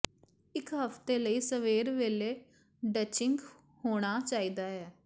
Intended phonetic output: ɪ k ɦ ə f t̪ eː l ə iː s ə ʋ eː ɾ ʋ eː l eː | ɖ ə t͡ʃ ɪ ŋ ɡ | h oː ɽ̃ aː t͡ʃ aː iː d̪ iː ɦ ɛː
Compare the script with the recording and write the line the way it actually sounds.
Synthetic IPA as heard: ɪ k ɦ ə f t̪ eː l ə iː s ə ʋ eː ɾ ʋ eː l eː | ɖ ə t͡ʃ ɪ ŋ ɡ | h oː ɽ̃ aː t͡ʃ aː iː d̪ aː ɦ ɛː